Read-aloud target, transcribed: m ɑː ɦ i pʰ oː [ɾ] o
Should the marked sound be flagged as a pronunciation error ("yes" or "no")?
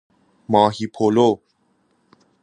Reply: yes